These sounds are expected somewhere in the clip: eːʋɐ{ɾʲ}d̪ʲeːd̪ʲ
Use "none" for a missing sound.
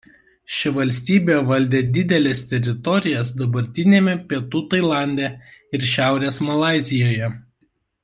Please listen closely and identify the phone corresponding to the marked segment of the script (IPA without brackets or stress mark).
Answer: lʲ